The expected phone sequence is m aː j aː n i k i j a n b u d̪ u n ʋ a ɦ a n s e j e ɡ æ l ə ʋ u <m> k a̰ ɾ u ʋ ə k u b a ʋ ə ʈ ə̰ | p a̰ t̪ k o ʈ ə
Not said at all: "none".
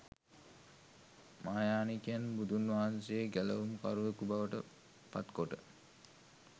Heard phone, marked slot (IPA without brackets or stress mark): m